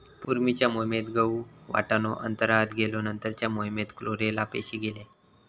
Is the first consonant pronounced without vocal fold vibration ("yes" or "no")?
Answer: yes